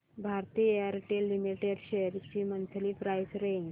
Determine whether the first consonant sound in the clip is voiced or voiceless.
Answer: voiced